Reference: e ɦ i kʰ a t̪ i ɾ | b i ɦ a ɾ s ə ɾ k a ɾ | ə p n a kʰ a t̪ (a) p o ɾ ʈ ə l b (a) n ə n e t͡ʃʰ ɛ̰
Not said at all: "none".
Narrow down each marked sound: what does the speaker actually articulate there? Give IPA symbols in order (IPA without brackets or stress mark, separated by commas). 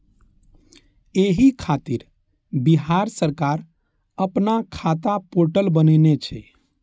a, ə